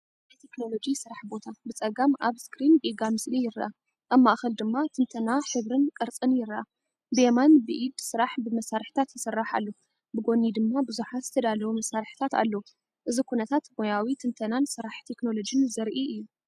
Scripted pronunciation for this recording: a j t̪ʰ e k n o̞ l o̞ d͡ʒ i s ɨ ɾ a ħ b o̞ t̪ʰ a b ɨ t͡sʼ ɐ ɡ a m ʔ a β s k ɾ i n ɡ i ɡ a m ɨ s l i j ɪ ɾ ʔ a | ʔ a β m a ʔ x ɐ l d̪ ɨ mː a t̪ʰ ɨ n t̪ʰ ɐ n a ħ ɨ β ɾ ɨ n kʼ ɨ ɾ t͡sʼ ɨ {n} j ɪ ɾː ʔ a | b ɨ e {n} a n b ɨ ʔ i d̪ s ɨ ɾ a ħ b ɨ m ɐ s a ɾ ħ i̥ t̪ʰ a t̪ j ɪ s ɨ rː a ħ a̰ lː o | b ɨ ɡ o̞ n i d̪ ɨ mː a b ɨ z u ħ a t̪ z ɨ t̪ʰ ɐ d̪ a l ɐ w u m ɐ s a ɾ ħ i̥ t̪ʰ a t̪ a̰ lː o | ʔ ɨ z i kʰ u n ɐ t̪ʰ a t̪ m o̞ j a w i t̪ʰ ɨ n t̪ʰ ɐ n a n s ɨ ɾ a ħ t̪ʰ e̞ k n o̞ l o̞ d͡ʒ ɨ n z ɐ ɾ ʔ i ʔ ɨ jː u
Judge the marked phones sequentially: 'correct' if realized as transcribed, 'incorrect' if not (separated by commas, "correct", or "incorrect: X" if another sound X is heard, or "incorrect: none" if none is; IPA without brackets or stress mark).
correct, incorrect: m